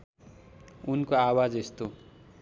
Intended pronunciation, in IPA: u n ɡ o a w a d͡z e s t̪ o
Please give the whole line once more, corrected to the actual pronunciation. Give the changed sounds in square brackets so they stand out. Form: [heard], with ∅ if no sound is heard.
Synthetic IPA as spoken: u n [k] o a w a d͡z e s t̪ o